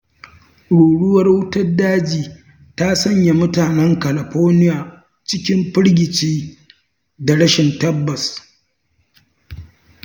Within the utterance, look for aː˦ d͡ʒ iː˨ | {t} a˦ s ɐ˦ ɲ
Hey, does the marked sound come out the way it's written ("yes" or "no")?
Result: yes